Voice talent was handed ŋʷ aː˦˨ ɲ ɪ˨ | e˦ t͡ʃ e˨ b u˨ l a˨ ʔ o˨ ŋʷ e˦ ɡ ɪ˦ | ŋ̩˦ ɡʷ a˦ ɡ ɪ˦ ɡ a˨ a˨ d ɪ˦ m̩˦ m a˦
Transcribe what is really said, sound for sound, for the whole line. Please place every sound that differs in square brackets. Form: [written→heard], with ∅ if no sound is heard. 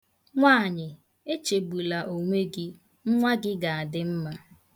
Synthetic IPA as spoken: ŋʷ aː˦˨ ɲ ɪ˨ | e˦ t͡ʃ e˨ b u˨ l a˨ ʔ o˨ ŋʷ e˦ ɡ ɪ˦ | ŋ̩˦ [ɡʷ→ŋʷ] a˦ ɡ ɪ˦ ɡ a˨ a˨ d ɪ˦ m̩˦ m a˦